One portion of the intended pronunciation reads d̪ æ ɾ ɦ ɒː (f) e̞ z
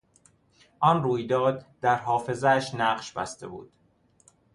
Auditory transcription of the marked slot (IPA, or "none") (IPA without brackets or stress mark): f